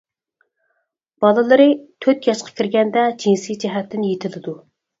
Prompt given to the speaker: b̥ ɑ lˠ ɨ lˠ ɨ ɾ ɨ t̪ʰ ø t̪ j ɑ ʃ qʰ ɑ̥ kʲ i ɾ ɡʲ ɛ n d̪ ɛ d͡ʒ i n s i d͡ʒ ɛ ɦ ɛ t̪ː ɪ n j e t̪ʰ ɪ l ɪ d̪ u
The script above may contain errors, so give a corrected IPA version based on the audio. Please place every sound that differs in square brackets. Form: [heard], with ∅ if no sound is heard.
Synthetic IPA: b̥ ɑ lˠ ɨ lˠ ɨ ɾ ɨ t̪ʰ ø t̪ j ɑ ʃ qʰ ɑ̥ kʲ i ɾ ɡʲ ɛ n d̪ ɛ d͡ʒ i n s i d͡ʒ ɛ ɦ ɛ t̪ː ɪ n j e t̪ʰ ɪ l ɪ d̪ u